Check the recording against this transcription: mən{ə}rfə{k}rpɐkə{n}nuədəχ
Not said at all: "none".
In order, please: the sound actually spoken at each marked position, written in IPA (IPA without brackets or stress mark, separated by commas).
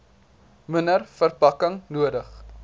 ə, none, ŋ